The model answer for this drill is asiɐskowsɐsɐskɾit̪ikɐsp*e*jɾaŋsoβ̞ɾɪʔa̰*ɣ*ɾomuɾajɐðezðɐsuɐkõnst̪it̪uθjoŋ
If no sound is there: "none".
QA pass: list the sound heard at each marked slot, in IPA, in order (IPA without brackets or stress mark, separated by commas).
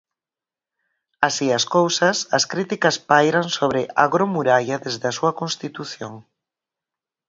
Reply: a, ɣ